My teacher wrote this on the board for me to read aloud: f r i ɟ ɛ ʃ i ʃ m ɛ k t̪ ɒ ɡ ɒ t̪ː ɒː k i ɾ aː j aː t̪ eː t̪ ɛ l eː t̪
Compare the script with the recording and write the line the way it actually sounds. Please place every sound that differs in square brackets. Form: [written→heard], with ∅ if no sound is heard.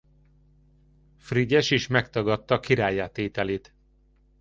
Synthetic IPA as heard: f r i ɟ ɛ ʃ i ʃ m ɛ k t̪ ɒ ɡ ɒ t̪ː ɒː k i ɾ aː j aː t̪ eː t̪ ɛ l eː t̪